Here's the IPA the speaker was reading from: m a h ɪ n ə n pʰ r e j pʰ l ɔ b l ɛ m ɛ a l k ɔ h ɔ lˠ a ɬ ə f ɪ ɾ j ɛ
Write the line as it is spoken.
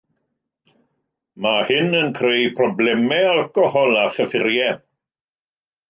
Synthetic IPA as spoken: m a h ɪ n ə n kʰ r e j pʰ r ɔ b l ɛ m ɛ a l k ɔ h ɔ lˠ a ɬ ə f ɪ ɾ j ɛ